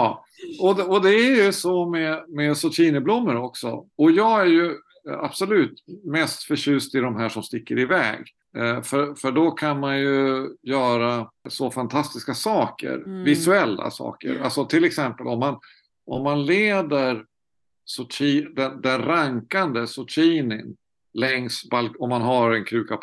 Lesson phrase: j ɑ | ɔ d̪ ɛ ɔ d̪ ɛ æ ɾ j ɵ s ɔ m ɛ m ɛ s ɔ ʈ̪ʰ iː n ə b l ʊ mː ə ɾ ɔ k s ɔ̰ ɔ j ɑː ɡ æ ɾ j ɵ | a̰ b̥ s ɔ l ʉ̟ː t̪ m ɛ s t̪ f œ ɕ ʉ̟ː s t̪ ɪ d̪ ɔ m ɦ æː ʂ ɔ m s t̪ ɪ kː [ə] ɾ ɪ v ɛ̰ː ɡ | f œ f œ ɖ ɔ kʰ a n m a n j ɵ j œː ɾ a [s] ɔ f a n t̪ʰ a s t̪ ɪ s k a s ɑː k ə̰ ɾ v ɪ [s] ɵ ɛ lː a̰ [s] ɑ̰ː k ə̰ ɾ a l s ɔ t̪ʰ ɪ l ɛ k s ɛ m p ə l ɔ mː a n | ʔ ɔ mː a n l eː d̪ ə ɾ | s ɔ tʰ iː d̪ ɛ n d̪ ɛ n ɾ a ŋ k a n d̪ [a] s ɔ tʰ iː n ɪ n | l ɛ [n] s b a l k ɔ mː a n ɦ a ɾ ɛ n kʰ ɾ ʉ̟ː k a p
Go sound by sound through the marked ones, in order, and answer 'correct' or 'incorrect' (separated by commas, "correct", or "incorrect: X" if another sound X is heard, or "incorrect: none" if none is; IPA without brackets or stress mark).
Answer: correct, correct, correct, correct, incorrect: ə, incorrect: ŋ